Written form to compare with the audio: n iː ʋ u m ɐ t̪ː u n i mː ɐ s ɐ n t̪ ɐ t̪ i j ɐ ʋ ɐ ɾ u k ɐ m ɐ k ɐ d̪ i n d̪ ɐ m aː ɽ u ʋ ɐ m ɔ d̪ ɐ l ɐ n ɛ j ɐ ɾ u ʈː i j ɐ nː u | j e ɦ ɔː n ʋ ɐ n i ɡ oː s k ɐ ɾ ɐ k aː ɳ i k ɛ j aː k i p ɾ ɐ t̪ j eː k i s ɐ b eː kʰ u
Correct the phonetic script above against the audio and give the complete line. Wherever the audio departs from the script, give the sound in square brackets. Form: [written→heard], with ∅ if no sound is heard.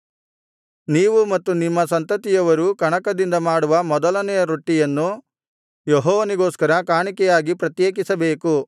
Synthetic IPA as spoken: n iː ʋ u m ɐ t̪ː u n i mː ɐ s ɐ n t̪ ɐ t̪ i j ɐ ʋ ɐ ɾ u k ɐ [m→ɳ] ɐ k ɐ d̪ i n d̪ ɐ m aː ɽ u ʋ ɐ m ɔ d̪ ɐ l ɐ n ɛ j ɐ ɾ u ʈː i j ɐ nː u | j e ɦ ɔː [n→∅] ʋ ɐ n i ɡ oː s k ɐ ɾ ɐ k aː ɳ i k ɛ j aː [k→ɡ] i p ɾ ɐ t̪ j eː k i s ɐ b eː [kʰ→k] u